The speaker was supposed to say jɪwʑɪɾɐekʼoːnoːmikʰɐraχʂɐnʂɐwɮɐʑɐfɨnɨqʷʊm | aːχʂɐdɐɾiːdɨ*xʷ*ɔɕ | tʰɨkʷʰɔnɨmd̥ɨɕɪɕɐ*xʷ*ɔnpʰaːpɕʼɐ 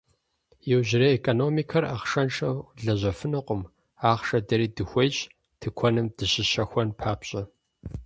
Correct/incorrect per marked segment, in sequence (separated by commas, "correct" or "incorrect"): correct, correct